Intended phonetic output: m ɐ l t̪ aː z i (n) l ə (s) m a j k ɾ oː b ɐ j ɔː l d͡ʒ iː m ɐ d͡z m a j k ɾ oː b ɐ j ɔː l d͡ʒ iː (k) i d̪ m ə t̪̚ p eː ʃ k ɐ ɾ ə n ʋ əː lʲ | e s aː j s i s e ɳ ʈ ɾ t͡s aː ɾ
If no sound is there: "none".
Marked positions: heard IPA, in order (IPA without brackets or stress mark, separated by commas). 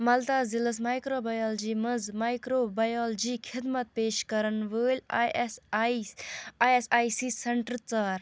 none, s, kʰ